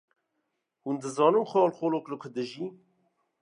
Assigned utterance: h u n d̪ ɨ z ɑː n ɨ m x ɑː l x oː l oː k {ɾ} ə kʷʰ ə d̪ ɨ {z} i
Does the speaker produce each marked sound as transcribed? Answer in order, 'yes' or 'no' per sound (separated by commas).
no, no